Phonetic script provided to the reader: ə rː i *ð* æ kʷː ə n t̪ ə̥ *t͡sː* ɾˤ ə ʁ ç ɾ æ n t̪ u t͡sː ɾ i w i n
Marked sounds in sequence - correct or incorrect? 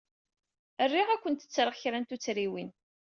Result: incorrect: ʁ, correct

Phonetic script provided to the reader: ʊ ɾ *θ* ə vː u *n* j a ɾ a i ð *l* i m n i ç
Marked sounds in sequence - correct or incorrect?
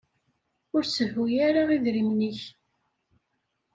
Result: incorrect: s, incorrect: none, incorrect: ɾ

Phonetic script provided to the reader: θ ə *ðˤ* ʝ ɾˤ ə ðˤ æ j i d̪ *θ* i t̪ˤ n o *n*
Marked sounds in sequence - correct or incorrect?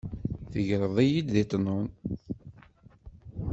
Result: incorrect: none, incorrect: ð, correct

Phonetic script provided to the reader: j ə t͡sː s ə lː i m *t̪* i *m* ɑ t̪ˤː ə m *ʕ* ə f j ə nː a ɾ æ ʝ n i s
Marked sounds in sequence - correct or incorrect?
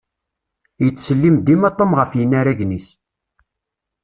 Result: incorrect: d̪, correct, incorrect: ʁ

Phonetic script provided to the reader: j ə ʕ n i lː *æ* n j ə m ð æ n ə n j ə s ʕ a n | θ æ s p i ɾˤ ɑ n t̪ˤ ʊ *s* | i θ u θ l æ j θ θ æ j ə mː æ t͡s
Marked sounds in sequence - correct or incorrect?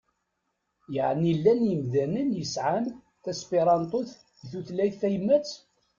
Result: correct, incorrect: θ

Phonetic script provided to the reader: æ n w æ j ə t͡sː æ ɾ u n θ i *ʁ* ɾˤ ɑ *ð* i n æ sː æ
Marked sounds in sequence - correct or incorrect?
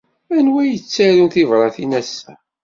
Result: incorrect: v, incorrect: θ

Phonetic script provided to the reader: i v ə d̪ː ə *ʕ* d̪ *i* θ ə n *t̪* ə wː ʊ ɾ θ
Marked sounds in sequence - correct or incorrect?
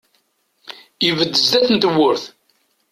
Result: incorrect: z, incorrect: æ, correct

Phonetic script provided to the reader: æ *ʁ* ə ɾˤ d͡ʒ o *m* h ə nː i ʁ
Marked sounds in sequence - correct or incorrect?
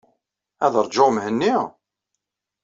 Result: incorrect: ð, correct

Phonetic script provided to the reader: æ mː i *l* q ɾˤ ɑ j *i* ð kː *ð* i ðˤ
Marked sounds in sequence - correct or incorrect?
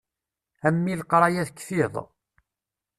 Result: correct, incorrect: æ, incorrect: θ

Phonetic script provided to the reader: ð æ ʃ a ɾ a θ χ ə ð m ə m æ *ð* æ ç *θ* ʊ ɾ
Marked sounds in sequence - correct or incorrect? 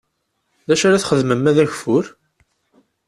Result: correct, incorrect: f

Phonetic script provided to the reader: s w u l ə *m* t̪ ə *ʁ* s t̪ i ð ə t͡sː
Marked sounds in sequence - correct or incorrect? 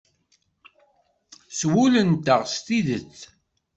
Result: incorrect: n, correct

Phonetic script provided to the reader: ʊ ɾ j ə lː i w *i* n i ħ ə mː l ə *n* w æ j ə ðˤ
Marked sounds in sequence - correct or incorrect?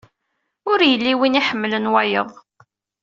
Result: correct, correct

